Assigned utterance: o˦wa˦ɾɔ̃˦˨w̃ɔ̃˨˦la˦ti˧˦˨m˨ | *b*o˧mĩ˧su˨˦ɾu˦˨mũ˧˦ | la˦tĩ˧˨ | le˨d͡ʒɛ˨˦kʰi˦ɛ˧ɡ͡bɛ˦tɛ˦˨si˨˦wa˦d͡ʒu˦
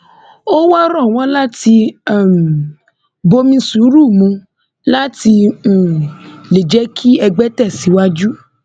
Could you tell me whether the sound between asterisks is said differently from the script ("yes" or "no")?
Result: no